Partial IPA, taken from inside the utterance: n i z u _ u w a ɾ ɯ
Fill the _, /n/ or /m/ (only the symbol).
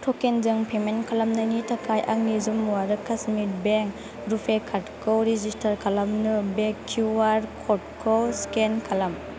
m